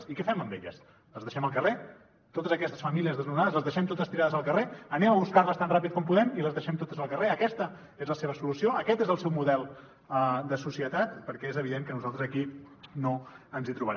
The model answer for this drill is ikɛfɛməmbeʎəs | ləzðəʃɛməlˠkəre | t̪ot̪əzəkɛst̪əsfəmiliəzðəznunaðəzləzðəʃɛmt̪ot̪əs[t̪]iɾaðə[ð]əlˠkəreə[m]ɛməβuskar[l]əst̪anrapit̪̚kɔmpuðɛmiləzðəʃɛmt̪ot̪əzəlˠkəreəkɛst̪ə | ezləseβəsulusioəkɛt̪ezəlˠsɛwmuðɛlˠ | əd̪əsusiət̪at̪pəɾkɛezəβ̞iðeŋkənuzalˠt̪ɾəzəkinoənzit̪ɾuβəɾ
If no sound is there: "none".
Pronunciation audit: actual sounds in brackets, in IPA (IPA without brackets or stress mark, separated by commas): t̪, z, n, l